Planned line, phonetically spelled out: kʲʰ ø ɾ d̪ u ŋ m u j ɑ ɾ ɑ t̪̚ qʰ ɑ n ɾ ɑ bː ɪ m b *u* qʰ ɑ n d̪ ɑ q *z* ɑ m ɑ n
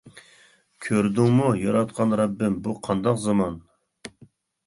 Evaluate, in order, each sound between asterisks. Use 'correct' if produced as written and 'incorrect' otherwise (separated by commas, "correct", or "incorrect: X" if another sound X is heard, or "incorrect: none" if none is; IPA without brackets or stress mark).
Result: correct, correct